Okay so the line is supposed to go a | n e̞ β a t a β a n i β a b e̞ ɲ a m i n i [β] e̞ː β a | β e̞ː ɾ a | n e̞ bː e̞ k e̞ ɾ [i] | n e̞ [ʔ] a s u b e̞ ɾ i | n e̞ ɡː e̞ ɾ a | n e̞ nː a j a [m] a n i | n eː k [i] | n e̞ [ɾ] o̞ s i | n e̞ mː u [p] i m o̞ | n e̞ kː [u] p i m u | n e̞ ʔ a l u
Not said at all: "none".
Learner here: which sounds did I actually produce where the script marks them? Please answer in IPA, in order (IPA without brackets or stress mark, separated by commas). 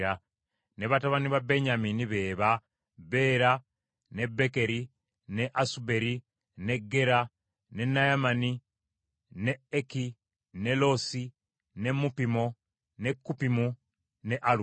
β, i, ʔ, m, i, l, p, u